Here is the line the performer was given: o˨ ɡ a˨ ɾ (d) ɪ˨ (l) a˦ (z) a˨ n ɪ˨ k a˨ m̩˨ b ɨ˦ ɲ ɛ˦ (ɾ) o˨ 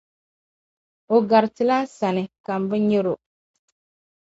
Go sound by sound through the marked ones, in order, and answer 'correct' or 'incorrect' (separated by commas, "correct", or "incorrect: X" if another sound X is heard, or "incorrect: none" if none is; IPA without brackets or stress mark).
incorrect: t, correct, incorrect: s, correct